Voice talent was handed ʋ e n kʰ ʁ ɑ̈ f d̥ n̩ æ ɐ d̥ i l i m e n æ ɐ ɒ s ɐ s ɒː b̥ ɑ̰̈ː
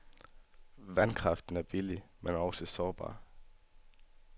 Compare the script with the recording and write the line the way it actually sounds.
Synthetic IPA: ʋ æ n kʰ ʁ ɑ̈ f d̥ n̩ æ ɐ b̥ i l i m e n æ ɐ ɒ s ə s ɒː b̥ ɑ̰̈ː